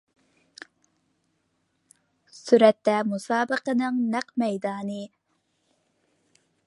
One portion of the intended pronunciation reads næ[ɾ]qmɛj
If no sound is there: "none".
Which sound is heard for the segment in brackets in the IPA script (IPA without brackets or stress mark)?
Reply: none